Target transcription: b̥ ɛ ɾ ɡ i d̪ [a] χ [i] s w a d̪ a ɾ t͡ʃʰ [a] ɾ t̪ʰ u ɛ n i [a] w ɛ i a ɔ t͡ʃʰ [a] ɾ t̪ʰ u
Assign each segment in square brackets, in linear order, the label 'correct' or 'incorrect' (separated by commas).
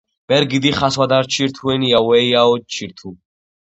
incorrect, incorrect, incorrect, correct, incorrect